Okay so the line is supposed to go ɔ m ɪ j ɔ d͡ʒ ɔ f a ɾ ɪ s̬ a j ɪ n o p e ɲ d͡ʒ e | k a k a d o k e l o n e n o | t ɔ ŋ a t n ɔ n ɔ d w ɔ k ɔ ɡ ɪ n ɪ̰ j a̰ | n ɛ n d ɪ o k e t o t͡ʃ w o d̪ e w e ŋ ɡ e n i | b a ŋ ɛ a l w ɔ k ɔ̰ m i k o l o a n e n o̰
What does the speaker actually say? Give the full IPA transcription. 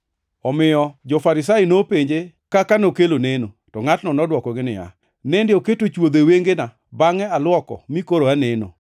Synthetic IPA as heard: ɔ m ɪ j ɔ d͡ʒ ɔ f a ɾ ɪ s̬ a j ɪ n o p e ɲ d͡ʒ e | k a k a n o k e l o n e n o | t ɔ ŋ a t n ɔ n ɔ d w ɔ k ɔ ɡ ɪ n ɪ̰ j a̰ | n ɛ n d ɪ o k e t o t͡ʃ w o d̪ e w e ŋ ɡ e n a | b a ŋ ɛ a l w ɔ k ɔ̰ m i k o ɾ o a n e n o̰